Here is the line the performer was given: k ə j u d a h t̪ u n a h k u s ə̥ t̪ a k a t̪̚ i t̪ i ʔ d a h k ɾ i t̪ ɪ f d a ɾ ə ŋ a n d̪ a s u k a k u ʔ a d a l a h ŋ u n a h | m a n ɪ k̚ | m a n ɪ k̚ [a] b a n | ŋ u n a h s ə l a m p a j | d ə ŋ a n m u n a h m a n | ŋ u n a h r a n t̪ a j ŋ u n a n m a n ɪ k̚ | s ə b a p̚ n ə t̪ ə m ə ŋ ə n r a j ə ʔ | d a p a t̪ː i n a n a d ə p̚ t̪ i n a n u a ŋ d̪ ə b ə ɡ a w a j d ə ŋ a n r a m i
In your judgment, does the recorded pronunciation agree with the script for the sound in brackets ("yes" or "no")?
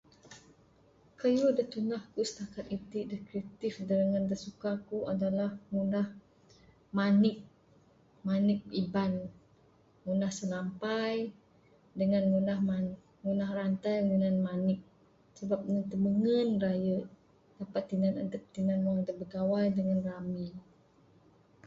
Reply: no